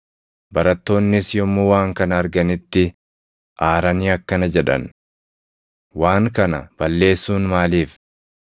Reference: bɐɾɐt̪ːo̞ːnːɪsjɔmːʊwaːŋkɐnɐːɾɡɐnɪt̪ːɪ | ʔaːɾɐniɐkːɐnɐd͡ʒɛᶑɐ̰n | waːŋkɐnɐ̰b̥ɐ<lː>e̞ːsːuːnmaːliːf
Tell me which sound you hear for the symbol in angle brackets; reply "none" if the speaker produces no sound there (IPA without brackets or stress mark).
lː